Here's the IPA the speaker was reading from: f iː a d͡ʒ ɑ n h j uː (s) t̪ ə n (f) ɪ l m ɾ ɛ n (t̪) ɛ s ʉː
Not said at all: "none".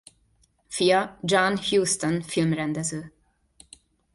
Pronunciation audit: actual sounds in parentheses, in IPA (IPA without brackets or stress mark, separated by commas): s, f, d̪